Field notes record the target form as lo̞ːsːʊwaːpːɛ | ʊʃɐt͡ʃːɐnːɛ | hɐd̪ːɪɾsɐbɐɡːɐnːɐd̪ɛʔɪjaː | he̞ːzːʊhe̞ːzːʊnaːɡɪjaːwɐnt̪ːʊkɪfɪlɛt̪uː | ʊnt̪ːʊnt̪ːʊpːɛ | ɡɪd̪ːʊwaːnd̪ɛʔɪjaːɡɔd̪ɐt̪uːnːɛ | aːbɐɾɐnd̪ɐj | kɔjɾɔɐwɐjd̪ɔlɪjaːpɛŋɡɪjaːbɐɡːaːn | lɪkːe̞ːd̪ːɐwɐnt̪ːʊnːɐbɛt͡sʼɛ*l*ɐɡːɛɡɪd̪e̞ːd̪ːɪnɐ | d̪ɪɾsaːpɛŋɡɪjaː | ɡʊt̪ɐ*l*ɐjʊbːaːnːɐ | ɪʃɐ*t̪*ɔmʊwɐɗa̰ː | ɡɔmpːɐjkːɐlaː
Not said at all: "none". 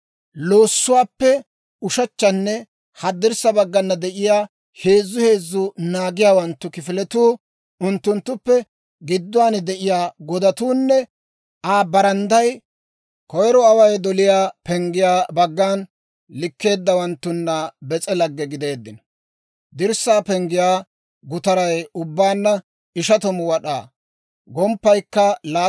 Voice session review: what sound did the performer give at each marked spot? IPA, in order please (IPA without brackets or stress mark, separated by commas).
l, ɾ, t̪